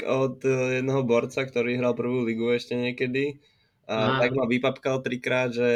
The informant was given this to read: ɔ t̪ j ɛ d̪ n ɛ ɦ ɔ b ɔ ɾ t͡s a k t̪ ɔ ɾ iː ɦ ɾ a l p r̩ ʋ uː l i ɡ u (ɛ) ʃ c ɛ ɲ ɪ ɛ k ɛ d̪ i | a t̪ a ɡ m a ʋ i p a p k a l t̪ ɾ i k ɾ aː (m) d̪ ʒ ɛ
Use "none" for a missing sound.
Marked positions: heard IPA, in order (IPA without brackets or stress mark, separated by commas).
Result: ɛ, none